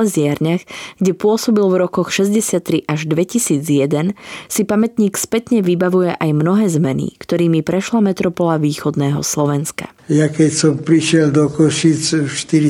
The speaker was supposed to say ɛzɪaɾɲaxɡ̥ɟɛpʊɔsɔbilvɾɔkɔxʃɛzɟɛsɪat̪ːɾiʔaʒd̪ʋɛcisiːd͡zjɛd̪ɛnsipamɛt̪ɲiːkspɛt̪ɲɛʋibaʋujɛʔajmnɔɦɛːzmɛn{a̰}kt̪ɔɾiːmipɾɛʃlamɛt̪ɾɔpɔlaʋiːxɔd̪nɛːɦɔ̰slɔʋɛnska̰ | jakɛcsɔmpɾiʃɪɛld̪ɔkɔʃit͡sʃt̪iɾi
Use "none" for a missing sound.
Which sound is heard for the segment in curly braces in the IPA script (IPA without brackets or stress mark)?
ḭ